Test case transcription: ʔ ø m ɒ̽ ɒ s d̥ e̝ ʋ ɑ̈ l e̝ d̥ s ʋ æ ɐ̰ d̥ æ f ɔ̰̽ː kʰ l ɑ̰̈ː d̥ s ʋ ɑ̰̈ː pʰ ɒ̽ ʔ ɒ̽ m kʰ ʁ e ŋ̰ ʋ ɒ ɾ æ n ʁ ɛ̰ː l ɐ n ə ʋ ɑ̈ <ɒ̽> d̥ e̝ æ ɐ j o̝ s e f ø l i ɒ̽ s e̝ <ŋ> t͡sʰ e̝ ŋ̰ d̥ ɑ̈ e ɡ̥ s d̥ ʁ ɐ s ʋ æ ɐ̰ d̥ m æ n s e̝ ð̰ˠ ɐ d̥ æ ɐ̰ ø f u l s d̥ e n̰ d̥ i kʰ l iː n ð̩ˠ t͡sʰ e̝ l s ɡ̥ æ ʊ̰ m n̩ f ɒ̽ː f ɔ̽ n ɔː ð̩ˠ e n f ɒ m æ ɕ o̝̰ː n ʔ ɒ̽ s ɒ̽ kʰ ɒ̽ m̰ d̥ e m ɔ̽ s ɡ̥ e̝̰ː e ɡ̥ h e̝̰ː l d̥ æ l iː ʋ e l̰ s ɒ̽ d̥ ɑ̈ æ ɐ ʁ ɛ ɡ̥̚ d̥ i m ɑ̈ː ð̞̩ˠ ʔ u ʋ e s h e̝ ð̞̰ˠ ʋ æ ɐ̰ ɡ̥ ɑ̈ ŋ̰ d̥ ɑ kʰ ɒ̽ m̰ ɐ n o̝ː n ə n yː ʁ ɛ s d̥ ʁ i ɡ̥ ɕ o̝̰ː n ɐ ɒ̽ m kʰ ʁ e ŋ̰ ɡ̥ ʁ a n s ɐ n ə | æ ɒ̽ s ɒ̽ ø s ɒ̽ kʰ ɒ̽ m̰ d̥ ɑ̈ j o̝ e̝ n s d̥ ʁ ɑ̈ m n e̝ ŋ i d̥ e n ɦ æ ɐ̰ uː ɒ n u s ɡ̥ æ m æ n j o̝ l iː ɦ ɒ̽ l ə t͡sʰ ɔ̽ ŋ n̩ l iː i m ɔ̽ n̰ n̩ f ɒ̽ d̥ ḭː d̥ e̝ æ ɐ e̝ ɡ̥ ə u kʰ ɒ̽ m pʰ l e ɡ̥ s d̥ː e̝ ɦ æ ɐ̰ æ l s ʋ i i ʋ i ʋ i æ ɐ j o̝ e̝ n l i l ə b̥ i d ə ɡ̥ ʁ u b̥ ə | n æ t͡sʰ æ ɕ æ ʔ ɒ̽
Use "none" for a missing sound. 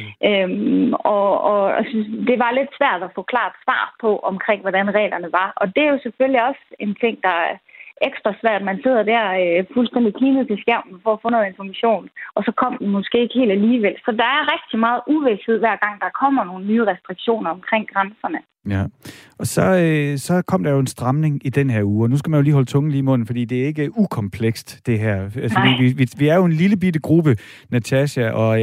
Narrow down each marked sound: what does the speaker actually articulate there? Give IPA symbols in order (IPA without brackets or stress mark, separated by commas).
ɒ̽, n